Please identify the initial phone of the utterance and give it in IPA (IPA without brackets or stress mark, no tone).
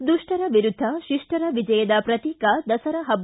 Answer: d̪